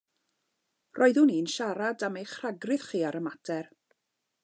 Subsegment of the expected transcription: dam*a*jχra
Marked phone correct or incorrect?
incorrect